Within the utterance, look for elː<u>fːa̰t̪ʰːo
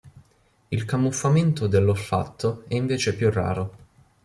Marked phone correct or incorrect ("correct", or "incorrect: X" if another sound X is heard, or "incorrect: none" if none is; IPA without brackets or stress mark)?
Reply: incorrect: o